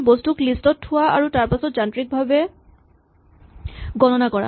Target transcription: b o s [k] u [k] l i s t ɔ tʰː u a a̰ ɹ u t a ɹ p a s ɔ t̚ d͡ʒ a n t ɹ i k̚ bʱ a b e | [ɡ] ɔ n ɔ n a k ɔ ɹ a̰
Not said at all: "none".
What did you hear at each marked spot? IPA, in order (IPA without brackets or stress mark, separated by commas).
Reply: t, k, ɡ